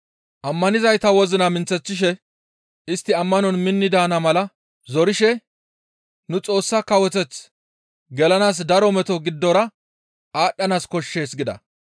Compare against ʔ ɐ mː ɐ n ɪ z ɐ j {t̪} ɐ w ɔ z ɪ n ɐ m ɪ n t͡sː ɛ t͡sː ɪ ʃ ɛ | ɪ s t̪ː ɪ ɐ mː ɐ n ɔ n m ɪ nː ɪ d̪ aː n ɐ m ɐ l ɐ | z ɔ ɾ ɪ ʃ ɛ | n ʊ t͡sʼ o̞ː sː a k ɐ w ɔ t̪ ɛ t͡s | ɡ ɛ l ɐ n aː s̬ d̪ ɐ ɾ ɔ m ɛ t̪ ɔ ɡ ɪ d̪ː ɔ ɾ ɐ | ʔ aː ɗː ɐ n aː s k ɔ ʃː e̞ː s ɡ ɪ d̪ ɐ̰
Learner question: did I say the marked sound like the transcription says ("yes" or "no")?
yes